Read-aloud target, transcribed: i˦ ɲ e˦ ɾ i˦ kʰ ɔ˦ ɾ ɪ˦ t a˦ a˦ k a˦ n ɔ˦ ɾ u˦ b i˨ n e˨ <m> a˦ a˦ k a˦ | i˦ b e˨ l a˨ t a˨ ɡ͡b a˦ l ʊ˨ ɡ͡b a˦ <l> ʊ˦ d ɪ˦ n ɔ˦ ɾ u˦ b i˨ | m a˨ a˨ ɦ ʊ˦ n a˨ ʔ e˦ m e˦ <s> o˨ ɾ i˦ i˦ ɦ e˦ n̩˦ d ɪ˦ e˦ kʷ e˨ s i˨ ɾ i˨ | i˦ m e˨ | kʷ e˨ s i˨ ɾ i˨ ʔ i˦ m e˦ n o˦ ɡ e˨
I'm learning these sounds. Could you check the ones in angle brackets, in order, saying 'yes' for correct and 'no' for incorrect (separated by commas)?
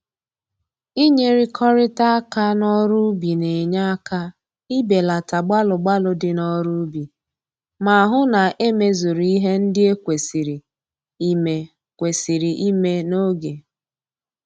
no, yes, no